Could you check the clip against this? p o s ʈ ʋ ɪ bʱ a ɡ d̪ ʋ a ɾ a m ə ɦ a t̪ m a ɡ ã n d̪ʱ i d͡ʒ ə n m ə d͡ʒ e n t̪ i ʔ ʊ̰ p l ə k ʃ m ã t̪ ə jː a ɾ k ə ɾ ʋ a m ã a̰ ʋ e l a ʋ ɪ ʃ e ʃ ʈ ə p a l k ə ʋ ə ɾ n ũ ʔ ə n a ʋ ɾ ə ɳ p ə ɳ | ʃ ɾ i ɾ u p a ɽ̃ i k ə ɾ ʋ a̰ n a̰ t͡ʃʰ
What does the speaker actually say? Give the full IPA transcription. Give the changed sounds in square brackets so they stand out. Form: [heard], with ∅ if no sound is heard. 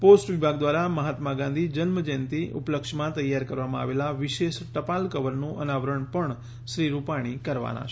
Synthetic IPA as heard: p o s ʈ ʋ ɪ bʱ a ɡ d̪ ʋ a ɾ a m ə ɦ a t̪ m a ɡ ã n d̪ʱ i d͡ʒ ə n m ə d͡ʒ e n t̪ i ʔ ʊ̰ p l ə k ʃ m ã t̪ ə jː a ɾ k ə ɾ ʋ a m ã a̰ ʋ e l a ʋ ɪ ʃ e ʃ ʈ ə p a l k ə ʋ ə ɾ n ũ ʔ ə n a ʋ ɾ ə ɳ p ə ɳ | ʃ ɾ i ɾ u p a ɽ̃ i k ə ɾ ʋ a̰ n a̰ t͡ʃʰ